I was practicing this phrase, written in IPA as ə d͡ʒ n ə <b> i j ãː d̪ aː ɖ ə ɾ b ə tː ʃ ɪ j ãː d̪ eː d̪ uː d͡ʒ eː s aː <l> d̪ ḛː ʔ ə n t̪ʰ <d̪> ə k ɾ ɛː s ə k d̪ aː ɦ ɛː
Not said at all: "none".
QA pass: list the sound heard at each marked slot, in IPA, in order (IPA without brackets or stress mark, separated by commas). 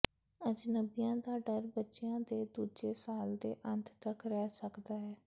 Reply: b, l, t̪